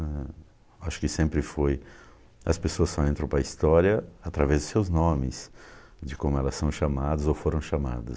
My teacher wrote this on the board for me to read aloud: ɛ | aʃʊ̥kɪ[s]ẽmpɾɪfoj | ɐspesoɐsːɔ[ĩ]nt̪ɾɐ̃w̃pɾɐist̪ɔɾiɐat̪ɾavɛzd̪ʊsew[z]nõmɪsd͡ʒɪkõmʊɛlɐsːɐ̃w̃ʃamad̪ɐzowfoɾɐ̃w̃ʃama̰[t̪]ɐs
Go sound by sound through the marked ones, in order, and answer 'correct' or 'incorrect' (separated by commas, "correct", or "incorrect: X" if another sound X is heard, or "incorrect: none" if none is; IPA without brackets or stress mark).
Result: correct, incorrect: ẽ, correct, incorrect: d̪